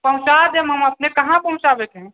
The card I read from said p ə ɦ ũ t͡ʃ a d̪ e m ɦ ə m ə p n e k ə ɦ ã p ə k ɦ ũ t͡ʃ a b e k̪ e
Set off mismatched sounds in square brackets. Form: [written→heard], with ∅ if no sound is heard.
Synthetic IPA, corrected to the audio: p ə ɦ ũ t͡ʃ a d̪ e m ɦ ə m ə p n e k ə ɦ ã p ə [k→∅] ɦ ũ t͡ʃ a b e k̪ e